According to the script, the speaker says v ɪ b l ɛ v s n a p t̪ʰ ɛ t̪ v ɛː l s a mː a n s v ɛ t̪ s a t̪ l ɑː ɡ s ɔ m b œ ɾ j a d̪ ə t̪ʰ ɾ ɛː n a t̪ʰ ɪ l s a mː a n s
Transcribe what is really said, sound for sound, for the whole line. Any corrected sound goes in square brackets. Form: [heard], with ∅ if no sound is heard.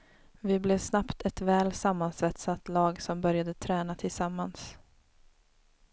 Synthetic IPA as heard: v ɪ b l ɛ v s n a p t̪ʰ ɛ t̪ v ɛː l s a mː a n s v ɛ t̪ s a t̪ l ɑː ɡ s ɔ m b œ ɾ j a d̪ ə t̪ʰ ɾ ɛː n a t̪ʰ ɪ l s a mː a n s

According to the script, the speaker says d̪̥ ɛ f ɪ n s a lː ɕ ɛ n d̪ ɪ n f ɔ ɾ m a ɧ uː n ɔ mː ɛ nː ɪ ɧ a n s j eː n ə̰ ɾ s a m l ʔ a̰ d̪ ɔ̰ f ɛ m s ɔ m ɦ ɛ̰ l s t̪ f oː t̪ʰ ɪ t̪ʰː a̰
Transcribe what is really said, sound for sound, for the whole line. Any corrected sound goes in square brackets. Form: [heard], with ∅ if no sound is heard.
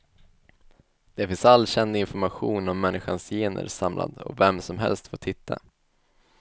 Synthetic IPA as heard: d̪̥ ɛ f ɪ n s a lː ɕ ɛ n d̪ ɪ n f ɔ ɾ m a ɧ uː n ɔ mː ɛ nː ɪ ɧ a n s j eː n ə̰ ɾ s a m l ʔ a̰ d̪ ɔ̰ [v] ɛ m s ɔ m ɦ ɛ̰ l s t̪ f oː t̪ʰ ɪ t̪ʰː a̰

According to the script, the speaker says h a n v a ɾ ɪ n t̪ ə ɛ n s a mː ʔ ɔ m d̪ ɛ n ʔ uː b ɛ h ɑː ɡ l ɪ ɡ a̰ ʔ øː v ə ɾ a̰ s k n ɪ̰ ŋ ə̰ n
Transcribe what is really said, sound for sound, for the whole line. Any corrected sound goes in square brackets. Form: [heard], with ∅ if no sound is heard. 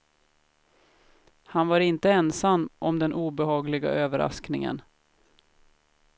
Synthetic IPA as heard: h a n v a ɾ ɪ n t̪ ə ɛ n s a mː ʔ ɔ m d̪ ɛ n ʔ uː b ɛ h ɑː ɡ l ɪ ɡ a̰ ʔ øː v ə ɾ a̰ s k n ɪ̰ ŋ ə̰ n

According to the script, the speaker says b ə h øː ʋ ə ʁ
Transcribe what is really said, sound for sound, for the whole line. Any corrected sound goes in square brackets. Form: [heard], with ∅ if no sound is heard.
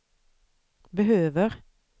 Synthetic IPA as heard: b ə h øː ʋ ə ʁ

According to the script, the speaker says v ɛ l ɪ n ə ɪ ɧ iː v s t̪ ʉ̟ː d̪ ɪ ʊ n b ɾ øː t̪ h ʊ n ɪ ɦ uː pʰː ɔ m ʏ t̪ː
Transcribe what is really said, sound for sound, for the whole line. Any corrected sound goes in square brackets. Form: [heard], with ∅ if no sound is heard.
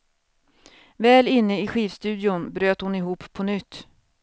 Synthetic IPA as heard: v [ɛː] l ɪ [nː] ə ɪ ɧ iː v s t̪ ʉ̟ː d̪ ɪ ʊ n b ɾ øː t̪ h ʊ n ɪ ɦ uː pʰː ɔ [n] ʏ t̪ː

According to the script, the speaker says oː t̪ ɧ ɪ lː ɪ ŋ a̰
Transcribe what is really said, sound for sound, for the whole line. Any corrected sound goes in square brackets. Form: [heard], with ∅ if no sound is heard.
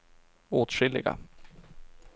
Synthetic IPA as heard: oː t̪ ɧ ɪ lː ɪ [ɡ] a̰

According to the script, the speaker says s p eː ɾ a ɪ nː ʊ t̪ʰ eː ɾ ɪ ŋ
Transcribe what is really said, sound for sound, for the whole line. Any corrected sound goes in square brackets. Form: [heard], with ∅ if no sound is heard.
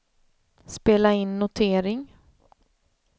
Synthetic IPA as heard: s p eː [l] a ɪ nː ʊ t̪ʰ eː ɾ ɪ ŋ

